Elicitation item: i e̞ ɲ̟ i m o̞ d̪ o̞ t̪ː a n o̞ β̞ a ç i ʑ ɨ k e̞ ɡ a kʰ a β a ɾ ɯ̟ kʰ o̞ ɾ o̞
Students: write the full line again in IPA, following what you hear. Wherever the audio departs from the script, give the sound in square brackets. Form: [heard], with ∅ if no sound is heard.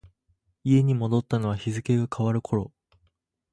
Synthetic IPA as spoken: i e̞ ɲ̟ i m o̞ d̪ o̞ t̪ː a n o̞ β̞ a ç i [z] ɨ k e̞ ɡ a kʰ a β a ɾ ɯ̟ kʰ o̞ ɾ o̞

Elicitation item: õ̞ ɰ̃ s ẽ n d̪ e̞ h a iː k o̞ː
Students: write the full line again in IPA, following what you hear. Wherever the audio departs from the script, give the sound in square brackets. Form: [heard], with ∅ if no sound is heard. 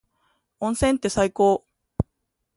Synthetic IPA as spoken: õ̞ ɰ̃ s ẽ n [t̪] e̞ [s] a [i] k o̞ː

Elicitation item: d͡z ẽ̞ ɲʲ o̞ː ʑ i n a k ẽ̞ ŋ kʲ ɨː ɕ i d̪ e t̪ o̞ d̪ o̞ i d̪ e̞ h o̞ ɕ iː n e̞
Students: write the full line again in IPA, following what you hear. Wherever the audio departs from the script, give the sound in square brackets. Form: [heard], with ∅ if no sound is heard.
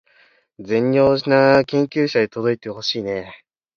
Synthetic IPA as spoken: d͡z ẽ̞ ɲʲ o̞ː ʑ i n a k ẽ̞ ŋ kʲ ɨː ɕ [a] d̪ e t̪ o̞ d̪ o̞ i [t̪] e̞ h o̞ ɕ iː n e̞

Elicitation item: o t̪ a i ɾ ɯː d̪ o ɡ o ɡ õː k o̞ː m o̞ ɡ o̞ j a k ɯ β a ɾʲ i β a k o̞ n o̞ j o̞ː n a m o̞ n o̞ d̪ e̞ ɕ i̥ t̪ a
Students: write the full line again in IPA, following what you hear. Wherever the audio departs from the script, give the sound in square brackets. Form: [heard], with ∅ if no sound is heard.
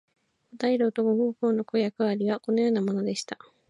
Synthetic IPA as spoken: o t̪ a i ɾ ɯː [t̪] o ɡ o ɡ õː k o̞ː [n] o̞ [k] o̞ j a k ɯ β a ɾʲ i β a k o̞ n o̞ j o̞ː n a m o̞ n o̞ d̪ e̞ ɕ i̥ t̪ a

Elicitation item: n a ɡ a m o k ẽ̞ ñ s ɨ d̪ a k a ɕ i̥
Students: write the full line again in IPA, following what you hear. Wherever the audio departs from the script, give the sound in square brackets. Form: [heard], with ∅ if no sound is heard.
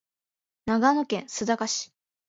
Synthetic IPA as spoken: n a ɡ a [n] o k ẽ̞ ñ s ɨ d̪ a k a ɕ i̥

